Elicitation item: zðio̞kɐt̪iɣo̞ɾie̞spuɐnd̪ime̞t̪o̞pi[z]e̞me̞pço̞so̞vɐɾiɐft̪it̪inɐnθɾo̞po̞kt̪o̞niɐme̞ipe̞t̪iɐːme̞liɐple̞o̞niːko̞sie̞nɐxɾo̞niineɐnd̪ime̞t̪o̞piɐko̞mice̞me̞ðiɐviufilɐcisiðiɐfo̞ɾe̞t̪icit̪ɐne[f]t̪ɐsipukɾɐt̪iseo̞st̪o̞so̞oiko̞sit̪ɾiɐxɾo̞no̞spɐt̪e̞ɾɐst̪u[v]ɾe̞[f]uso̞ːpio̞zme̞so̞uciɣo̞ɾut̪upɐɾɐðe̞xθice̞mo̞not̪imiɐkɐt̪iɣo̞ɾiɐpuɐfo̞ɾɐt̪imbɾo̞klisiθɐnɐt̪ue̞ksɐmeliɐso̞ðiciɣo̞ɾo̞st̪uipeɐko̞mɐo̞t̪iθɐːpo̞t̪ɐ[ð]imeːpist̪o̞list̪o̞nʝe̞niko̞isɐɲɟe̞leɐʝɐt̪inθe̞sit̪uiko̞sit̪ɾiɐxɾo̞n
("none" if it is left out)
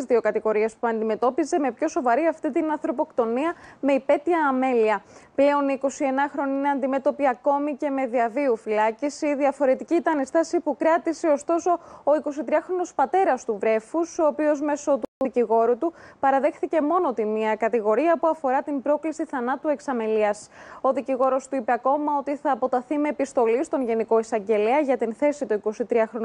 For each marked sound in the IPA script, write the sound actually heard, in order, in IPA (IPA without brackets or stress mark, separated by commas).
z, s, v, f, θ